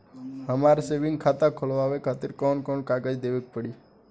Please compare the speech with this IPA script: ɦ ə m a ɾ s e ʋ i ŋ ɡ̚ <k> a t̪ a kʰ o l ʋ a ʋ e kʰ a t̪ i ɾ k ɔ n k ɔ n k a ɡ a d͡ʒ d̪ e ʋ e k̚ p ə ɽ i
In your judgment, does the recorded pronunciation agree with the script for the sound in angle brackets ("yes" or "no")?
no